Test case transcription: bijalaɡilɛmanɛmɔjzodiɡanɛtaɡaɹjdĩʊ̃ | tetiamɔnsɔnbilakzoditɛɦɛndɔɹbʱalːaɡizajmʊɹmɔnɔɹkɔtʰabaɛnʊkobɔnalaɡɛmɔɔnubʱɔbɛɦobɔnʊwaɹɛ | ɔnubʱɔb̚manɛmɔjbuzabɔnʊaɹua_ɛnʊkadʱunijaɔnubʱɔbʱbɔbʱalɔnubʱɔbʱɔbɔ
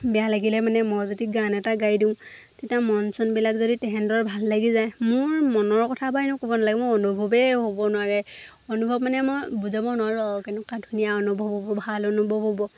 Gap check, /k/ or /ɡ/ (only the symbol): k